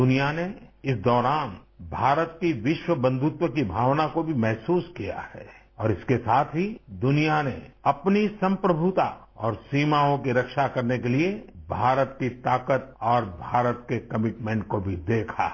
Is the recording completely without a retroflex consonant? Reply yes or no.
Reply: no